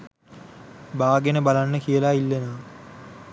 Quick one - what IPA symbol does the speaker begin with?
b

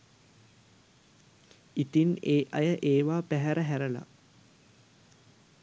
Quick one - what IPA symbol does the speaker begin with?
i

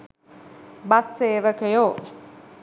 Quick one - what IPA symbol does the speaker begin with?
b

